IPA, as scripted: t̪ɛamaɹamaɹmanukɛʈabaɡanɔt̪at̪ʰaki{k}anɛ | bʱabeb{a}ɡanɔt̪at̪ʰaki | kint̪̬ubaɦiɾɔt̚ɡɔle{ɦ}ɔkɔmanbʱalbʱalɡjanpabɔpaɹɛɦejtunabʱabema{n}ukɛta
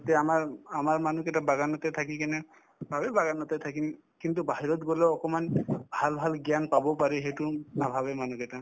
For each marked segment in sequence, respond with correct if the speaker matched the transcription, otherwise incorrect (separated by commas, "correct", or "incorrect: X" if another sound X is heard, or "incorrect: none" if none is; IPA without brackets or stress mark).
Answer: correct, correct, incorrect: none, correct